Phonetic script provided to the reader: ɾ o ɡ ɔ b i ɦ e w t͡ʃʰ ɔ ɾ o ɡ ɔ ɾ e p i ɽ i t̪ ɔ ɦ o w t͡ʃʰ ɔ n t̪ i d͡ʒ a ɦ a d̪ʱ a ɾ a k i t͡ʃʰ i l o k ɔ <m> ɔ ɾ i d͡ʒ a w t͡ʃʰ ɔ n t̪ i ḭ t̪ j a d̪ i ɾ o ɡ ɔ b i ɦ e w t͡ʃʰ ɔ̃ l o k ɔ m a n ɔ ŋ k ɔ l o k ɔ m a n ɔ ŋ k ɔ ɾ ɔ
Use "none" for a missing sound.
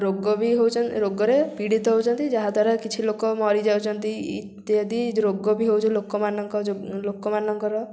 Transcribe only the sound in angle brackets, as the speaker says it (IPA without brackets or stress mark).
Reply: m